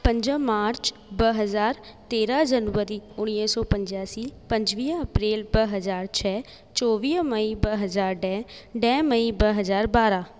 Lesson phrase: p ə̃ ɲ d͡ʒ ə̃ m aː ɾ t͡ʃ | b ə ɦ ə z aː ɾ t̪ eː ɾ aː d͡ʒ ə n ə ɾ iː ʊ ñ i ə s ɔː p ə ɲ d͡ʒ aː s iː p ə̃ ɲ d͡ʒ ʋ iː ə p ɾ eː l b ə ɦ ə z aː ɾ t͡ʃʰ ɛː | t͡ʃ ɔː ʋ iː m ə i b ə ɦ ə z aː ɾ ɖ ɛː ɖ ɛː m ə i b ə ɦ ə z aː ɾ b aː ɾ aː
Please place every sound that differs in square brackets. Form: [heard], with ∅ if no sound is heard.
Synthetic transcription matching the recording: p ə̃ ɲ d͡ʒ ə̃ m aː ɾ t͡ʃ | b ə ɦ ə z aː ɾ t̪ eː ɾ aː d͡ʒ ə n ə ɾ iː ʊ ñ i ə s ɔː p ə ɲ d͡ʒ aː s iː p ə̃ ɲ d͡ʒ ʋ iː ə p ɾ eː l b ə ɦ ə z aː ɾ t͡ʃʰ ɛː | t͡ʃ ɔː ʋ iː m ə i b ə ɦ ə z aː ɾ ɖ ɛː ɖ ɛː m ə i b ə ɦ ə z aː ɾ b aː ɾ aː